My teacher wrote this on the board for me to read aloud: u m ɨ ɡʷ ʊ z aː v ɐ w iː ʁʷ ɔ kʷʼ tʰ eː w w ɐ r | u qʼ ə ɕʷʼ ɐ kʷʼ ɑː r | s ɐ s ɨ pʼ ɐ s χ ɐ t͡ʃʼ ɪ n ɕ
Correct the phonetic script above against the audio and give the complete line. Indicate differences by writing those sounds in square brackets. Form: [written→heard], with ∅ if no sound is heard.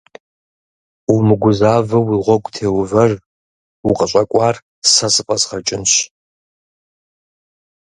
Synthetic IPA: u m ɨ ɡʷ ʊ z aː v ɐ w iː ʁʷ ɔ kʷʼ tʰ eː w [w→v] ɐ r | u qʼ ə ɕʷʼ ɐ kʷʼ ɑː r | s ɐ s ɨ pʼ ɐ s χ ɐ t͡ʃʼ ɪ n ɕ